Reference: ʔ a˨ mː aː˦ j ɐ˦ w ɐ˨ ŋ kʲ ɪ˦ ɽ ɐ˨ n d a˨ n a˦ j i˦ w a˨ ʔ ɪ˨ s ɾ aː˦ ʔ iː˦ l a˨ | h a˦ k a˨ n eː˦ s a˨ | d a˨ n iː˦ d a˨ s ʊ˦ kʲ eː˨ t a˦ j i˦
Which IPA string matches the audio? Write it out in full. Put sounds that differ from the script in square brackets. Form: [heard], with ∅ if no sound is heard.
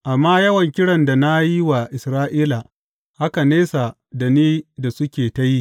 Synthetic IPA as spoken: ʔ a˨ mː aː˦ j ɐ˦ w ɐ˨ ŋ kʲ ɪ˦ ɽ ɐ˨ n d a˨ n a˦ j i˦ w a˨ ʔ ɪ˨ s ɾ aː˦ ʔ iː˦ l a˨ | h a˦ k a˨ n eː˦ s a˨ | d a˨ n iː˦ d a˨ s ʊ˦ kʲ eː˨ t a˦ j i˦